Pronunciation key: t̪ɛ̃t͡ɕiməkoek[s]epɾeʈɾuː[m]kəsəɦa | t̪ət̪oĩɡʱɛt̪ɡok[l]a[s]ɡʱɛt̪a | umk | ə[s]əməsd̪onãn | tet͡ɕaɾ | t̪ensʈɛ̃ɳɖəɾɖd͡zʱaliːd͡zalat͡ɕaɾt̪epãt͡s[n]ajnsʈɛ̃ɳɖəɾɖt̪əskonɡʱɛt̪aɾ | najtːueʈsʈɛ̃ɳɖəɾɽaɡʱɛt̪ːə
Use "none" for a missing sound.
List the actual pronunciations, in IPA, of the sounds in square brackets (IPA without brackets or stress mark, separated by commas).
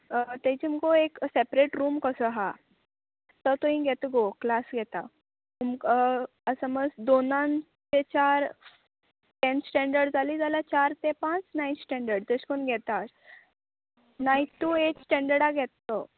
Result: s, m, l, s, s, n